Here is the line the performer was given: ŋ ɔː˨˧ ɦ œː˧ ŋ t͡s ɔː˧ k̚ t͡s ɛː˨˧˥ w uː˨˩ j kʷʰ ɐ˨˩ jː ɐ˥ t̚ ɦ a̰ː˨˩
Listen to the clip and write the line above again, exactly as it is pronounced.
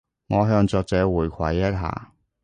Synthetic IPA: ŋ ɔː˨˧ ɦ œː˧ ŋ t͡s ɔː˧ k̚ t͡s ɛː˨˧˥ w uː˨˩ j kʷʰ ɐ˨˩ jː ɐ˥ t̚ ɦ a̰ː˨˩

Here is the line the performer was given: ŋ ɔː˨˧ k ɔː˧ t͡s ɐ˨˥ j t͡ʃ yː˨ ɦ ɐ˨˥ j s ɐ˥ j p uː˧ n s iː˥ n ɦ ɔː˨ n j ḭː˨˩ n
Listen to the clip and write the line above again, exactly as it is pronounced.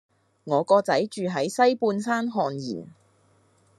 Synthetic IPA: ŋ ɔː˨˧ k ɔː˧ t͡s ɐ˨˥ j t͡ʃ yː˨ ɦ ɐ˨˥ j s ɐ˥ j p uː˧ n s aː˥ n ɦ ɔː˨ n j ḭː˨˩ n

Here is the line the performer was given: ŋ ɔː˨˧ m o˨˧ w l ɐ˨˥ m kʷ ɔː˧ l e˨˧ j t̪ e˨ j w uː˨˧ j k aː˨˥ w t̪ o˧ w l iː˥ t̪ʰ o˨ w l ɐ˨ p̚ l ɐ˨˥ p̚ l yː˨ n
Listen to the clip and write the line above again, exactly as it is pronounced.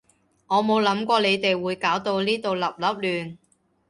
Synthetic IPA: ŋ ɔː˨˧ m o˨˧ w l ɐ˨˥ m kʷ ɔː˧ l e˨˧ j t̪ e˨ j w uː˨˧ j k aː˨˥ w t̪ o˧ w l iː˥ t̪ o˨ w l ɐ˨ p̚ l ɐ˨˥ p̚ l yː˨ n

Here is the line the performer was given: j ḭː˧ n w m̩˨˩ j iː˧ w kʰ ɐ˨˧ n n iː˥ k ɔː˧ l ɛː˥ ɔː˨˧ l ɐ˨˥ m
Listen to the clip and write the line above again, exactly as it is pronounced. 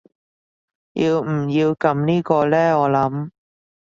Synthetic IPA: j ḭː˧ w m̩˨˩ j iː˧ w k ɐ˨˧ m n iː˥ k ɔː˧ l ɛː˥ ɔː˨˧ l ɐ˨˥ m

